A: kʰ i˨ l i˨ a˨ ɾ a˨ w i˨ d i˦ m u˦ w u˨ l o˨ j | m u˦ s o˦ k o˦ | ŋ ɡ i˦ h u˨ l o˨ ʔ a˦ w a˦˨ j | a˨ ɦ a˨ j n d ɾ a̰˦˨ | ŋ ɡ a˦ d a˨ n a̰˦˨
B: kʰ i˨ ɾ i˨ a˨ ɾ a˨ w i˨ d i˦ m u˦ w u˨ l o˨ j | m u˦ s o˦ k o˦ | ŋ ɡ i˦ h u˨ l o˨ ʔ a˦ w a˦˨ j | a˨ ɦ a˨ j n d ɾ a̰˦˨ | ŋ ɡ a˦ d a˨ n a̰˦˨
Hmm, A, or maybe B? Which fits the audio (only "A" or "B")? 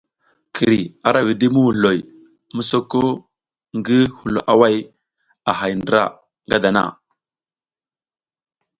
B